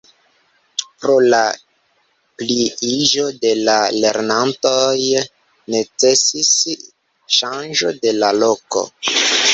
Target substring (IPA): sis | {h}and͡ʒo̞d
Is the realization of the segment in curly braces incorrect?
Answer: yes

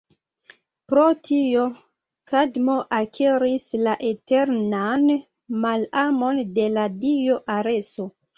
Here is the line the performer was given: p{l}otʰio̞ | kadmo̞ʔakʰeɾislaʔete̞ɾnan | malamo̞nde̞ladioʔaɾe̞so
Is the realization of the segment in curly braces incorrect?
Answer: yes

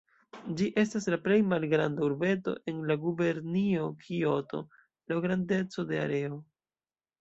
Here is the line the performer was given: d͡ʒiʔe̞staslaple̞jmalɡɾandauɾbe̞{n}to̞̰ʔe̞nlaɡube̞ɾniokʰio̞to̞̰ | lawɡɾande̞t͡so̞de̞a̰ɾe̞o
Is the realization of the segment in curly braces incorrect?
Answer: yes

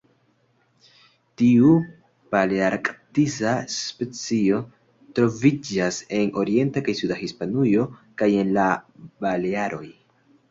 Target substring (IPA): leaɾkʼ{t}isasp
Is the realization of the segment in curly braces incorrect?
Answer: no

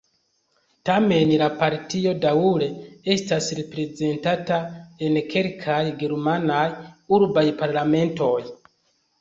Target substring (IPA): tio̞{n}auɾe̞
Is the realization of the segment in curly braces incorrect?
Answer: yes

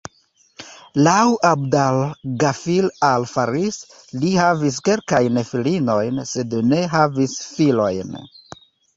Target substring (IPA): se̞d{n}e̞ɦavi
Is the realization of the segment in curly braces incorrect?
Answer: no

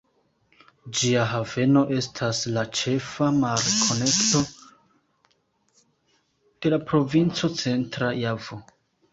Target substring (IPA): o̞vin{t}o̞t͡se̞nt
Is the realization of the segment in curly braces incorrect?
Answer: yes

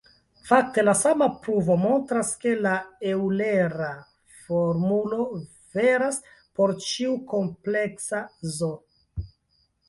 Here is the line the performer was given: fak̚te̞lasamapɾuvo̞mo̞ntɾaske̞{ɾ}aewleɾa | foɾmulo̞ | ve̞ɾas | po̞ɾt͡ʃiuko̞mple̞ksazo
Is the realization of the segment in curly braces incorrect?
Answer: yes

